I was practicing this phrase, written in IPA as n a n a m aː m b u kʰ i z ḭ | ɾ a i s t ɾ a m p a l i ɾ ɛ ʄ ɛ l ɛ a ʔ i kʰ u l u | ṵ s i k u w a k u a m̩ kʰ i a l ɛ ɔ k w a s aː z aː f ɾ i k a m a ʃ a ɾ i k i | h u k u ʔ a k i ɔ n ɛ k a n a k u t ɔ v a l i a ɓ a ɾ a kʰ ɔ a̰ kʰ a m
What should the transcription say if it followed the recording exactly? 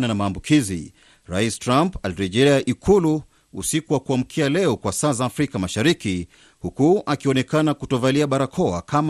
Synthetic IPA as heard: n a n a m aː m b u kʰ i z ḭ | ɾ a i s t ɾ a m p a l i ɾ ɛ ʄ ɛ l ɛ a ʔ i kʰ u l u | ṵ s i k u w a k u a m̩ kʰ i a l ɛ ɔ k w a s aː z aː f ɾ i k a m a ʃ a ɾ i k i | h u k u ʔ a k i ɔ n ɛ k a n a k u t ɔ v a l i a ɓ a ɾ a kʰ ɔ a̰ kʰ a m